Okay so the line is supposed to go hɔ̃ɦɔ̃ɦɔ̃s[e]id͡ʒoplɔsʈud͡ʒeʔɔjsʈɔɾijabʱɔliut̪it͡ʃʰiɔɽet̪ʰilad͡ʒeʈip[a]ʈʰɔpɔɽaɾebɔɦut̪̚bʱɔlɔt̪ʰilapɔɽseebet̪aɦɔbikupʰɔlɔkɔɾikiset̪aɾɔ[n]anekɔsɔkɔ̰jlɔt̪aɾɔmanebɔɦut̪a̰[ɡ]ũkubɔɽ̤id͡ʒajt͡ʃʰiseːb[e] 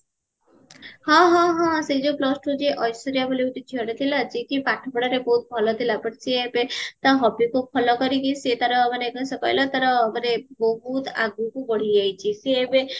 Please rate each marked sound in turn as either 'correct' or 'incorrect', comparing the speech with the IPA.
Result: correct, correct, incorrect: m, correct, correct

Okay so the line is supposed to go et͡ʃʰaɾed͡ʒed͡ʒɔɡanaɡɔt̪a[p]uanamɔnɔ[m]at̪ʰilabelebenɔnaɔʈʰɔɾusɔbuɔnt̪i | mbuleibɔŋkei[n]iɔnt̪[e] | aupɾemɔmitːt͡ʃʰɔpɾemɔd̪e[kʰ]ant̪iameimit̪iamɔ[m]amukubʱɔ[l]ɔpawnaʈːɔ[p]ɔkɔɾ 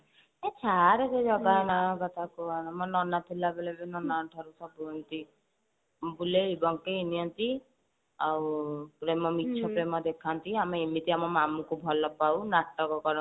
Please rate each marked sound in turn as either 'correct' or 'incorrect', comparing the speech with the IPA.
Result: incorrect: k, incorrect: n, correct, incorrect: i, correct, correct, correct, incorrect: k

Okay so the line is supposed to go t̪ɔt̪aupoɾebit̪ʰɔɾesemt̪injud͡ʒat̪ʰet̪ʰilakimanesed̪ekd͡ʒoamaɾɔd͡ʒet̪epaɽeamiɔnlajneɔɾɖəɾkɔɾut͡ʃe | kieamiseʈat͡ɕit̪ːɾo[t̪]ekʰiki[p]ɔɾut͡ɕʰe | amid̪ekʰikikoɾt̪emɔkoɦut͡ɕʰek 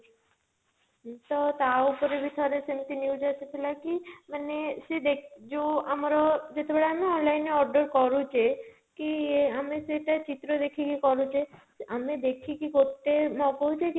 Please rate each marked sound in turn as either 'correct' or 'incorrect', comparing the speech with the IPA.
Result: incorrect: d̪, incorrect: k

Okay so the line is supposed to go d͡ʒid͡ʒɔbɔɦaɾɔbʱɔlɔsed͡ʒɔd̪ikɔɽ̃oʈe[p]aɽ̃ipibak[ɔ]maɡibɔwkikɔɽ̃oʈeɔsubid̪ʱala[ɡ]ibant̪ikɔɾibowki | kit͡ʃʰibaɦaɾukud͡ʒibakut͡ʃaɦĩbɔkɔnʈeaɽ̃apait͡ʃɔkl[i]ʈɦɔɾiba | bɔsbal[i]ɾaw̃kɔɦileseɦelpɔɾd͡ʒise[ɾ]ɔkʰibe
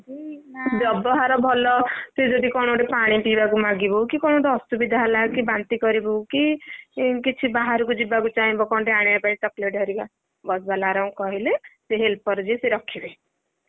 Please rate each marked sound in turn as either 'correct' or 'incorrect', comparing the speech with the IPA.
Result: correct, incorrect: u, incorrect: k, incorrect: e, incorrect: a, correct

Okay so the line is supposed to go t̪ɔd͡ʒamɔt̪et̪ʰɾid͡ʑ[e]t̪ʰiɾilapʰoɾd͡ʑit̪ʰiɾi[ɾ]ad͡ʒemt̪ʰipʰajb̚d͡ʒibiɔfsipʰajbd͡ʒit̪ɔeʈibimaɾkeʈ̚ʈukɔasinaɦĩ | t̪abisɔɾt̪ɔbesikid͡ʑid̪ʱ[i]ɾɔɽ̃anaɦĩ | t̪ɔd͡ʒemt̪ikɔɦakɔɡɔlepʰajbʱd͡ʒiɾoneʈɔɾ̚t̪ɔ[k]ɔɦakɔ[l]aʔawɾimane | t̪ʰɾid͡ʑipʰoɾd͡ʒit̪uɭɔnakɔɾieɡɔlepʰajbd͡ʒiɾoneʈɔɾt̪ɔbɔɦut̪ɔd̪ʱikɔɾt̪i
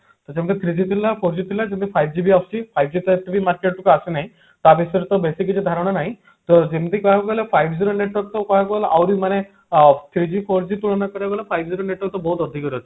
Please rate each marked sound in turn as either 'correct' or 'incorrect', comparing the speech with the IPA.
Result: incorrect: i, incorrect: l, incorrect: a, correct, correct

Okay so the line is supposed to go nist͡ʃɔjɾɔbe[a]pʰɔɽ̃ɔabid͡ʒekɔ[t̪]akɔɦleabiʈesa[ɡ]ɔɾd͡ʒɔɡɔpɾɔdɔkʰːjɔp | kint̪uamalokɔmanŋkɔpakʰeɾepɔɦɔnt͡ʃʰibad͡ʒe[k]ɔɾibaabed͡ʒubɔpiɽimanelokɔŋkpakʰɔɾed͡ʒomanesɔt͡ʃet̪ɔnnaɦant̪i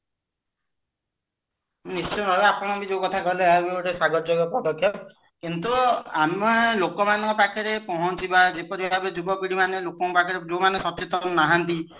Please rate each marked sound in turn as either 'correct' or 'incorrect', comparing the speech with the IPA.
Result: correct, incorrect: t̪ʰ, correct, incorrect: p

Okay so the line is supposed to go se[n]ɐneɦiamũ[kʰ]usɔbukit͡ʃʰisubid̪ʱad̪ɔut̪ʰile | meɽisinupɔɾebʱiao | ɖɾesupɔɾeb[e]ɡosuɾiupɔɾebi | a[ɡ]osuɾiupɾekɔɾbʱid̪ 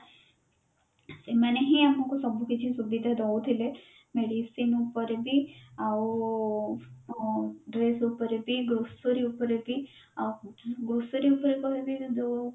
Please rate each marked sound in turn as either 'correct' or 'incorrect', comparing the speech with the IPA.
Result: incorrect: m, incorrect: k, incorrect: i, correct

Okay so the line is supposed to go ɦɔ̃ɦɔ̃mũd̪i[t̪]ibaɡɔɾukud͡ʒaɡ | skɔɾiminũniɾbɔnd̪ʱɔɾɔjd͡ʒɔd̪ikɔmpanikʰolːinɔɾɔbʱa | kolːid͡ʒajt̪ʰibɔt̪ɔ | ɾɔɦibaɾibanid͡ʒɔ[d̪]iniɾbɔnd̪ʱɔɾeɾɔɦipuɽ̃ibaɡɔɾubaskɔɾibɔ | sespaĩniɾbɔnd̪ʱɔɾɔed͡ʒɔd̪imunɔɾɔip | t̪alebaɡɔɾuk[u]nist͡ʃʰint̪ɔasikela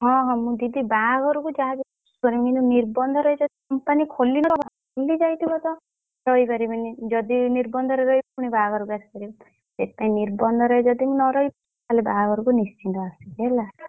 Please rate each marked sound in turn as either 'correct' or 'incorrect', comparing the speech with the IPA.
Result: incorrect: d̪, correct, correct

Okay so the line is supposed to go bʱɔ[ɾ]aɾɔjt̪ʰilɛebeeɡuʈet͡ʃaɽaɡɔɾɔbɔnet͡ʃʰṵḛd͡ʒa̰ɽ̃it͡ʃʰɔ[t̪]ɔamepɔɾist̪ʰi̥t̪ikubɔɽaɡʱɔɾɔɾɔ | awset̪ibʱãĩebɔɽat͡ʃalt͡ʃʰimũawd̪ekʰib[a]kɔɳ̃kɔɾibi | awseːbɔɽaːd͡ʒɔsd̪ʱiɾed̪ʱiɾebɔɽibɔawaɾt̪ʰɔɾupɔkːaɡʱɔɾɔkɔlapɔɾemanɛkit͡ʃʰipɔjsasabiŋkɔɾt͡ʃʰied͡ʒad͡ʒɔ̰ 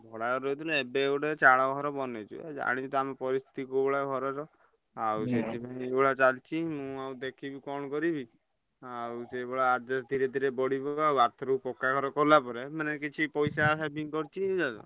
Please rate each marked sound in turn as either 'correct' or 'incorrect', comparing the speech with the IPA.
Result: incorrect: ɽ, correct, incorrect: i

